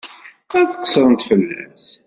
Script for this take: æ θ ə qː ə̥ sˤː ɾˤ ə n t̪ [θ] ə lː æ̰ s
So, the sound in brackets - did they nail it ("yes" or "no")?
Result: no